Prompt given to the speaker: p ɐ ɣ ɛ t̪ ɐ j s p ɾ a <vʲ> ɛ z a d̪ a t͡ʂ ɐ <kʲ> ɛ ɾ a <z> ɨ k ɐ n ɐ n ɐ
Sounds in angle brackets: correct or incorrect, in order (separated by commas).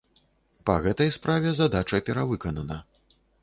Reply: correct, incorrect, incorrect